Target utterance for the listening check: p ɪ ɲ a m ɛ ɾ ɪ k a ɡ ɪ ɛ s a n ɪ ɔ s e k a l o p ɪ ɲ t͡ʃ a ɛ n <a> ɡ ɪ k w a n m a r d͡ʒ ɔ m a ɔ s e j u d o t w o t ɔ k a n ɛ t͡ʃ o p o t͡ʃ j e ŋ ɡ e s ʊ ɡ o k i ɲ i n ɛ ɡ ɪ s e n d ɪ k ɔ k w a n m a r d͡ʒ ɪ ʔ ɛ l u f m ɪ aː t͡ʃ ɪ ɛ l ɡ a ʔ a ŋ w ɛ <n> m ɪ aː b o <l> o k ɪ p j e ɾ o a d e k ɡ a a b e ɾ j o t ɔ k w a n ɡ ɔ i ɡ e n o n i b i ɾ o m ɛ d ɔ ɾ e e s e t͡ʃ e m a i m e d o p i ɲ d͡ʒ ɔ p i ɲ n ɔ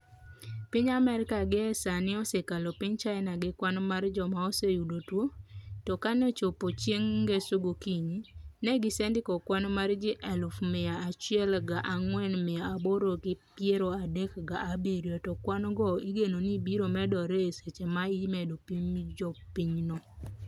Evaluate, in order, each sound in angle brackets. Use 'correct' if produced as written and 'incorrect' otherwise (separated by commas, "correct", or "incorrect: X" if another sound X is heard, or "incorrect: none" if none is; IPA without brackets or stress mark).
correct, correct, incorrect: ɾ